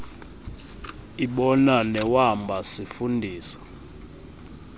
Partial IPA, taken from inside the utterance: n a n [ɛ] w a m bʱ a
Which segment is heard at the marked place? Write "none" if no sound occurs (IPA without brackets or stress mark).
ɛ